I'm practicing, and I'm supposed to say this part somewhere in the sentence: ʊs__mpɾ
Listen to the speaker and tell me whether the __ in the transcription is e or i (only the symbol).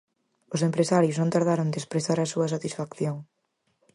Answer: e